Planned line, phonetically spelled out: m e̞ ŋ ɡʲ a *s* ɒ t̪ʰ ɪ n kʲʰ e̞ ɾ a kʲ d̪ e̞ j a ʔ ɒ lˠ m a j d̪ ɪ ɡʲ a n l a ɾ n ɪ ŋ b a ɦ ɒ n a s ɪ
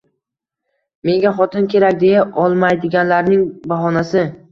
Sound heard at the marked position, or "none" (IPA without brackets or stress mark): χ